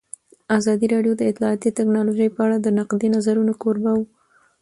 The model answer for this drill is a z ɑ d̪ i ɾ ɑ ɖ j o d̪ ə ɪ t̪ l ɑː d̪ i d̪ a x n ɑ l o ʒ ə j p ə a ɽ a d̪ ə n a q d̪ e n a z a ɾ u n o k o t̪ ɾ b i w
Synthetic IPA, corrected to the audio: a z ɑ d̪ i ɾ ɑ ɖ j o d̪ ə ɪ t̪ l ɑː t̪ i t̪ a k n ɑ l o ʒ ə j p ə a ɽ a d̪ ə n a q d̪ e n a z a ɾ u n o k o ɾ b a w